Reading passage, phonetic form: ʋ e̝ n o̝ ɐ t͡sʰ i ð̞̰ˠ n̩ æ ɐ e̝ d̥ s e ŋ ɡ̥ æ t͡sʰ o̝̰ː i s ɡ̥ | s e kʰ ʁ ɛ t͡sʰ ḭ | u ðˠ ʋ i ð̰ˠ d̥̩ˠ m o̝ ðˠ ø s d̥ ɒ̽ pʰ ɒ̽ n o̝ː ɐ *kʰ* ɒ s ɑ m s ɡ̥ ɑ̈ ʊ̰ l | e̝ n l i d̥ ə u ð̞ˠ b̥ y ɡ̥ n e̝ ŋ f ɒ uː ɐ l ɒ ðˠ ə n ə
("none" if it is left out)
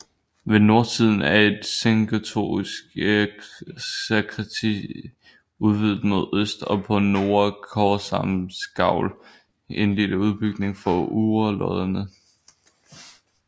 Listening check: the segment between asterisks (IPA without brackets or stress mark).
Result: kʰ